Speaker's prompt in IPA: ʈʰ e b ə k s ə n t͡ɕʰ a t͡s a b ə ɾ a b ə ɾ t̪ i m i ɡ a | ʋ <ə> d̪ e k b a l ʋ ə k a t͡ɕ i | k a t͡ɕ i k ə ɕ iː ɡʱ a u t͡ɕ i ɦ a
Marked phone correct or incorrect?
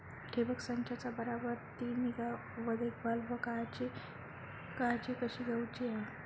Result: correct